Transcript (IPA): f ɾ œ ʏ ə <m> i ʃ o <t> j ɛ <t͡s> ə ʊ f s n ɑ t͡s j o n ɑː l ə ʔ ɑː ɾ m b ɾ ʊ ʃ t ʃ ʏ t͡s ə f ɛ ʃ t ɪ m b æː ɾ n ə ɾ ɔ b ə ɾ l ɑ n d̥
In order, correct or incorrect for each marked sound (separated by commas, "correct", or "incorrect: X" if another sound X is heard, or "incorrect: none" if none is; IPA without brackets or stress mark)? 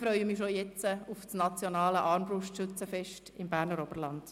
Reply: correct, incorrect: none, correct